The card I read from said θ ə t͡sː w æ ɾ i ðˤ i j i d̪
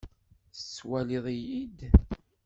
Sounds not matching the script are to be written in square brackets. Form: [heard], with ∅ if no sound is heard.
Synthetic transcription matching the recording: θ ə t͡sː w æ [l] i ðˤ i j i d̪